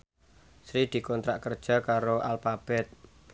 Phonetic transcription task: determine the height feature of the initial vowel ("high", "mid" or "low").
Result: high